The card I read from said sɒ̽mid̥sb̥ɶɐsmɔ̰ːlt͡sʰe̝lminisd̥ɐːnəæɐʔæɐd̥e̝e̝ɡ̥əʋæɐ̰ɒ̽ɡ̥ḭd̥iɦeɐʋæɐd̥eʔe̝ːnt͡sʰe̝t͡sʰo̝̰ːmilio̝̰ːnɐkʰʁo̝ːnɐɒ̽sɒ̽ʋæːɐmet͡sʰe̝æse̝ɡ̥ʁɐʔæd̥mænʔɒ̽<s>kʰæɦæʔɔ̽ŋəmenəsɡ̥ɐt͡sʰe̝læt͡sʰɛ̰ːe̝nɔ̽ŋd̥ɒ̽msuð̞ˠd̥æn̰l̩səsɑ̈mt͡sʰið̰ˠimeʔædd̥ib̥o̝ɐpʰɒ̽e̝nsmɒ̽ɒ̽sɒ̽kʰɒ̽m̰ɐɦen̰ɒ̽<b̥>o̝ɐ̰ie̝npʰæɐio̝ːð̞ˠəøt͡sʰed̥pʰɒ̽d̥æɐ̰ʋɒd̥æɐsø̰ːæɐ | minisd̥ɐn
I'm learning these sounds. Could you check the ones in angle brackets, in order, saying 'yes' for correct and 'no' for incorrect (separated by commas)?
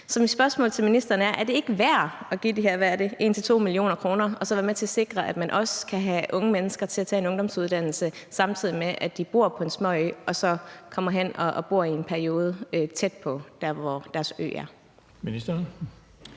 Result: yes, yes